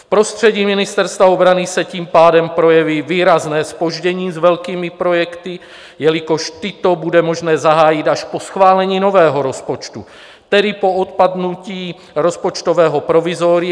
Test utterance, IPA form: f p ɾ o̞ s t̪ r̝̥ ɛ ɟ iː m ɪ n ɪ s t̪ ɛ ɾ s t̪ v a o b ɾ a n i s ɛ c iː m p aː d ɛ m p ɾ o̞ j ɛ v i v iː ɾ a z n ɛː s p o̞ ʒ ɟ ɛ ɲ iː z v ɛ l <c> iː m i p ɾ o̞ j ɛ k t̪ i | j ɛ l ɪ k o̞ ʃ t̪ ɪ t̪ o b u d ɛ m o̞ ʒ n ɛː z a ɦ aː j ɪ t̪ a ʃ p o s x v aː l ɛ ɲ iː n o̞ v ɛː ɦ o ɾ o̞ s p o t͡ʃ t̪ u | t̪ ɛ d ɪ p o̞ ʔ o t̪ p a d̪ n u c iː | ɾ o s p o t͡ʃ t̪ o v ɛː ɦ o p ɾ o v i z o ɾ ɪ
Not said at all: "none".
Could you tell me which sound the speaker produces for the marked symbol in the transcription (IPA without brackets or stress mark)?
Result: k